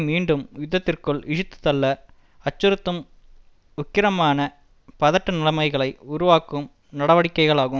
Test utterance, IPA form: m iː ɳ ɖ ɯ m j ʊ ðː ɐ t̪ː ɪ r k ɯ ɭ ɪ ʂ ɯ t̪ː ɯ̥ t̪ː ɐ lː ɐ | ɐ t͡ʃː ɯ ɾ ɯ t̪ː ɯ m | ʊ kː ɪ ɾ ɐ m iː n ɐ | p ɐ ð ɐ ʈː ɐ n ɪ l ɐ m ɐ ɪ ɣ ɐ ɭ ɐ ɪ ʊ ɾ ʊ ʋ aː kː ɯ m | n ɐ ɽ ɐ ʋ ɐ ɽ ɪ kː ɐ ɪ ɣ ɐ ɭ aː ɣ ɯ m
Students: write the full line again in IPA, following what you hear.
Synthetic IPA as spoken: m iː ɳ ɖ ɯ m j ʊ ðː ɐ t̪ː ɪ r k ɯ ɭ ɪ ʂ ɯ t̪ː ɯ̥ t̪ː ɐ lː ɐ | ɐ t͡ʃː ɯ ɾ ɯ t̪ː ɯ m | ʊ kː ɪ ɾ ɐ m aː n ɐ | p ɐ ð ɐ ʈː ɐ n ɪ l ɐ m ɐ ɪ ɣ ɐ ɭ ɐ ɪ ʊ ɾ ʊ ʋ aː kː ɯ m | n ɐ ɽ ɐ ʋ ɐ ɽ ɪ kː ɐ ɪ ɣ ɐ ɭ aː ɣ ɯ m